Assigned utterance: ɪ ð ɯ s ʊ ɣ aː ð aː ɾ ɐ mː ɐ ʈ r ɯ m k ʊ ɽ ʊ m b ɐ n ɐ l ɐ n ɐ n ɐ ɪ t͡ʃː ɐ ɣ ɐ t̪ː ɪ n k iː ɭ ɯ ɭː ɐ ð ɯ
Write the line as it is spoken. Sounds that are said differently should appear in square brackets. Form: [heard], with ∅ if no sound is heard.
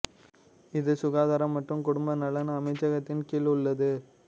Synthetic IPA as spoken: ɪ ð ɯ s ʊ ɣ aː ð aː ɾ ɐ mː ɐ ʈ r ɯ m k ʊ ɽ ʊ m b ɐ n ɐ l ɐ n ɐ [m] ɐ ɪ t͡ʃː ɐ ɣ ɐ t̪ː ɪ n k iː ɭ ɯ ɭː ɐ ð ɯ